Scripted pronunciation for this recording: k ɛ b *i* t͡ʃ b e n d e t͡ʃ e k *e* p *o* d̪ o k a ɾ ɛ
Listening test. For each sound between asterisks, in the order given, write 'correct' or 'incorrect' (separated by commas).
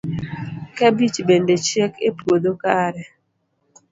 correct, correct, correct